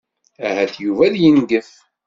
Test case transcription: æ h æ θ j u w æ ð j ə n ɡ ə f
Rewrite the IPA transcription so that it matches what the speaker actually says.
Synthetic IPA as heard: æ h æ θ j u v æ ð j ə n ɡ ə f

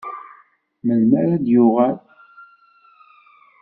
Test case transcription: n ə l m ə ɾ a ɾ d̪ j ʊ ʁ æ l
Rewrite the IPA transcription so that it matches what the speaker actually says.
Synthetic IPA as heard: m ə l m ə ɾ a d̪ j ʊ ʁ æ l

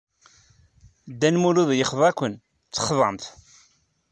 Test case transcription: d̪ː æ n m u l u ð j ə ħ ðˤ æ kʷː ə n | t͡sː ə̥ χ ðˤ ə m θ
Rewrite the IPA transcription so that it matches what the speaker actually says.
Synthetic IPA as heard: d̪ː æ n m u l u ð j ə χ ðˤ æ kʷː ə n | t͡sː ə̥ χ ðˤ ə m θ

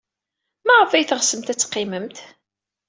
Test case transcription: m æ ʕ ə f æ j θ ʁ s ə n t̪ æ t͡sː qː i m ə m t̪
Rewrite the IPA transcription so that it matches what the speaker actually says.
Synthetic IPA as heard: m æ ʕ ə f æ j θ ʁ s ə m t̪ æ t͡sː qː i m ə m t̪

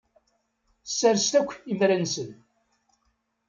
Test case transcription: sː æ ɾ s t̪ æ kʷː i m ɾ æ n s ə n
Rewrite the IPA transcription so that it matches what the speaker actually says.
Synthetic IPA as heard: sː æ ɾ s t̪ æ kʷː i m ɾ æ n s ə n

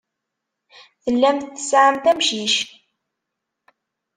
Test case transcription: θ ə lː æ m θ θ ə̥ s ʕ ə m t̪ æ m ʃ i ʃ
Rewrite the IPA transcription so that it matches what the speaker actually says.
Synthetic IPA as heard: θ ə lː æ m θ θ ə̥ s ʕ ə m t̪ æ m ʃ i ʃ

